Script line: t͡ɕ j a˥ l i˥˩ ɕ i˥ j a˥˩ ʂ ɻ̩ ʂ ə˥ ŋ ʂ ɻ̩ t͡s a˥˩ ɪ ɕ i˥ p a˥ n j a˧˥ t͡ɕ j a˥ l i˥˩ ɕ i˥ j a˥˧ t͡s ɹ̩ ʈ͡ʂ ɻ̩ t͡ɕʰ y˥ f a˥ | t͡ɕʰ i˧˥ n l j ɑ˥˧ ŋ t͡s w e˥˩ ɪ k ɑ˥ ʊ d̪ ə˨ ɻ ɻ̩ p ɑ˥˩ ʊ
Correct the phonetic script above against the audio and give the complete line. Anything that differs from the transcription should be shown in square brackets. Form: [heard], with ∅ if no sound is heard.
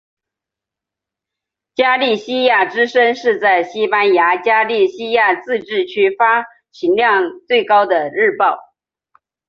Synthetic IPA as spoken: t͡ɕ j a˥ l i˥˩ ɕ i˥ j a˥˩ [ʈ͡ʂ] ɻ̩ ʂ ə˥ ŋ ʂ ɻ̩ t͡s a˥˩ ɪ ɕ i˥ p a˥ n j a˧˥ t͡ɕ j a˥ l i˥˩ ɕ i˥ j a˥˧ t͡s ɹ̩ ʈ͡ʂ ɻ̩ t͡ɕʰ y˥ f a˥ | t͡ɕʰ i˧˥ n l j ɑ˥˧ ŋ t͡s w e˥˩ ɪ k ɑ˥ ʊ d̪ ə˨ ɻ ɻ̩ p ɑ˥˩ ʊ